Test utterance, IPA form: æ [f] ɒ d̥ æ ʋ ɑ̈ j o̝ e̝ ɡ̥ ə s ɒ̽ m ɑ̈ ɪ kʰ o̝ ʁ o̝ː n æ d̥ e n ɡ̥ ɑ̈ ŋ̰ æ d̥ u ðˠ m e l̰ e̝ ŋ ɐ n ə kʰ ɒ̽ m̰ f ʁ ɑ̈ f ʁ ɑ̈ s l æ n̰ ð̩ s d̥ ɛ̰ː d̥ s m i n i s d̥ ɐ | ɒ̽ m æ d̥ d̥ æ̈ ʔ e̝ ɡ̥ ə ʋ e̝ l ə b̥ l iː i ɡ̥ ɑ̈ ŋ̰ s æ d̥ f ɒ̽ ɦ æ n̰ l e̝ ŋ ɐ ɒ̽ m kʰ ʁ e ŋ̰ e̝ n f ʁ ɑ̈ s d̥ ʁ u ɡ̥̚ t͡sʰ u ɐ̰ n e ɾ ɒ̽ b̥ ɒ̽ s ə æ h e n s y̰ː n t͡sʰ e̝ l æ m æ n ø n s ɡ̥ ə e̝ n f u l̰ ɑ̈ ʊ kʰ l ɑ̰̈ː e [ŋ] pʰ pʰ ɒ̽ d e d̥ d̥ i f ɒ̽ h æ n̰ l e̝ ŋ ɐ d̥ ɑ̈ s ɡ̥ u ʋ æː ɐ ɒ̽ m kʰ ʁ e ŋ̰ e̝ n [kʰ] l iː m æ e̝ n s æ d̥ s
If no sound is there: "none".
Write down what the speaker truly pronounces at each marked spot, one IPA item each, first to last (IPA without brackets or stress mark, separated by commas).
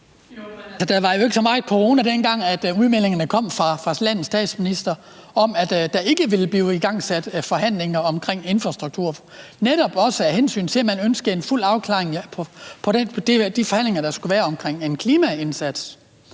s, ŋ, kʰ